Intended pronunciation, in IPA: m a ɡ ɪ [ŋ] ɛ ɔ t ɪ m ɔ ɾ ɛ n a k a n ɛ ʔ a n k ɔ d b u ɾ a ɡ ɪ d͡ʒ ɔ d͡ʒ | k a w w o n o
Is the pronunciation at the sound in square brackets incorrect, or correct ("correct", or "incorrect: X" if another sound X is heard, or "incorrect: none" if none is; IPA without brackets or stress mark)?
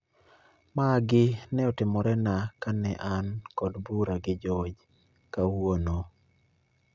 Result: incorrect: n